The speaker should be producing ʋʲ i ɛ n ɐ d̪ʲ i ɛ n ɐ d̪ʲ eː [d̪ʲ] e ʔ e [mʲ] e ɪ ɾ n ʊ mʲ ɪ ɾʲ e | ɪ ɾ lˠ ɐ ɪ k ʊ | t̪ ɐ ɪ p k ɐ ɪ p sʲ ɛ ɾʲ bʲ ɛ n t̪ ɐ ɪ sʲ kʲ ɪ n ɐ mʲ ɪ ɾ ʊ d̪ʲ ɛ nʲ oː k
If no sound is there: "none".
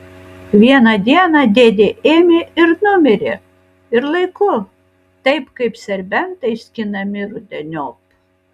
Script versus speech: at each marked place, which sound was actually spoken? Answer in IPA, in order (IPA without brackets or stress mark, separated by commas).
d̪ʲ, mʲ